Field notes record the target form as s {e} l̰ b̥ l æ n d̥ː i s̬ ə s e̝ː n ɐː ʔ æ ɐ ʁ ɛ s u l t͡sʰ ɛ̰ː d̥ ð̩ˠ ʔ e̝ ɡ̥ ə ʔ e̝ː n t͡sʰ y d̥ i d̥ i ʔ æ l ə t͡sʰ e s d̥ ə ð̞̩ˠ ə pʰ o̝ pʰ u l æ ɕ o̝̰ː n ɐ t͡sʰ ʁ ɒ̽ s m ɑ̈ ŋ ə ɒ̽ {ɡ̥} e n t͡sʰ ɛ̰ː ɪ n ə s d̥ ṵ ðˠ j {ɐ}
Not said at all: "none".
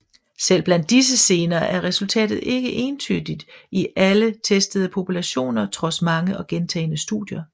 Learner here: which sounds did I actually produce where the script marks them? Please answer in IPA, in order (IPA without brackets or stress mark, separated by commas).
e, ɡ̥, ɐ